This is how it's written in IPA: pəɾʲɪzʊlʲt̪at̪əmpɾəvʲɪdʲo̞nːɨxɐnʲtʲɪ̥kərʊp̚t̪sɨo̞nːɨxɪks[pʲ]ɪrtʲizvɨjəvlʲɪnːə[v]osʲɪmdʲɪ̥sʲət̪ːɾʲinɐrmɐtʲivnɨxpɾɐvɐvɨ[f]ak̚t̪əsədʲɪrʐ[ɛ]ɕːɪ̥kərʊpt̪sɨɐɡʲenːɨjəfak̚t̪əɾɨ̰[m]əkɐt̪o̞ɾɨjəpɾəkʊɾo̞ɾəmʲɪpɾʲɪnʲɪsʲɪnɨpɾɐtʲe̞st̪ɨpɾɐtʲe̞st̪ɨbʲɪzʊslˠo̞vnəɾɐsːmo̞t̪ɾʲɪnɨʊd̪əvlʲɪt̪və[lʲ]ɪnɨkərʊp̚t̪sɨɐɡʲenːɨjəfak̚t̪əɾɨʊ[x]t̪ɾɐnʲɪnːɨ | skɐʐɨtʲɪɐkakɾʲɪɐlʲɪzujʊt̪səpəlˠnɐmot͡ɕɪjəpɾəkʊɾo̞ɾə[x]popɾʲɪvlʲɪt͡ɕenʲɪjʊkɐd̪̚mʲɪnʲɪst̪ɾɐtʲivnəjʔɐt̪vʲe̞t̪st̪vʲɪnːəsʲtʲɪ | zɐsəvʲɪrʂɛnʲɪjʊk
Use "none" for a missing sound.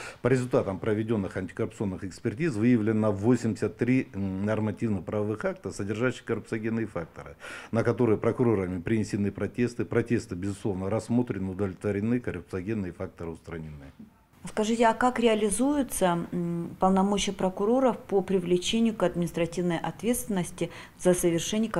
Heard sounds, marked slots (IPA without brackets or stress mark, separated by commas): pʲ, v, x, a, n, ɾʲ, s, f